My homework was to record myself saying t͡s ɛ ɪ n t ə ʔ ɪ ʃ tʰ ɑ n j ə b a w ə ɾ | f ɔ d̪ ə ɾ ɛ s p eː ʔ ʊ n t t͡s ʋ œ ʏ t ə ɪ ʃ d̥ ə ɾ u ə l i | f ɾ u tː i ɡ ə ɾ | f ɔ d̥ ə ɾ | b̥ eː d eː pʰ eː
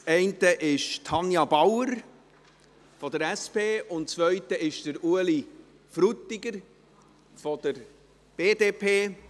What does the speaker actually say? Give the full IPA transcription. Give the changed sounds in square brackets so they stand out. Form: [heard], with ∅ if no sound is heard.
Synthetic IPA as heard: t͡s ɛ ɪ n t ə ʔ ɪ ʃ tʰ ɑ n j [ɑ] b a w ə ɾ | f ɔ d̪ ə ɾ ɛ s p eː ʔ ʊ n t t͡s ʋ œ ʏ t ə ɪ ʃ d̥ ə ɾ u ə l i | f ɾ u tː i ɡ ə ɾ | f ɔ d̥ ə ɾ | b̥ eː d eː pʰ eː